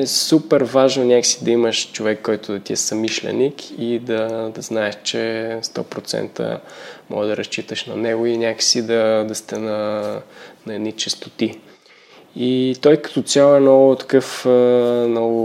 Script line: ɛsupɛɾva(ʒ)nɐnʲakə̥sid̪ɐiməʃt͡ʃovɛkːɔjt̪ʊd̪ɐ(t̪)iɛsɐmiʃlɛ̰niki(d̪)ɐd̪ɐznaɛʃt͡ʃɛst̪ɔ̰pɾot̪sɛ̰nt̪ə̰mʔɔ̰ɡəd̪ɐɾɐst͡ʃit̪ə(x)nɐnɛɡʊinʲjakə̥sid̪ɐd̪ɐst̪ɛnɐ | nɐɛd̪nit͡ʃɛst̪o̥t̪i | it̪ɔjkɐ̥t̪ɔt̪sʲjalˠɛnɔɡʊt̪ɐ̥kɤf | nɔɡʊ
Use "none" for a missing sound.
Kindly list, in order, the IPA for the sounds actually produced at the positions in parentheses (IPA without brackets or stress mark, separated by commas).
ʒ, t̪, d̪, ʃ